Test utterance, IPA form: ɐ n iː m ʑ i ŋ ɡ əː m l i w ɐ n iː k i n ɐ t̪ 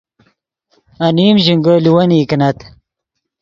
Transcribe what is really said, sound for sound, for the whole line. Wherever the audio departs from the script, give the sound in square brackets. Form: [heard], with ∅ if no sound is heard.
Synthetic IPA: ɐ n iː m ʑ i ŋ ɡ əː [∅] l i w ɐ n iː k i n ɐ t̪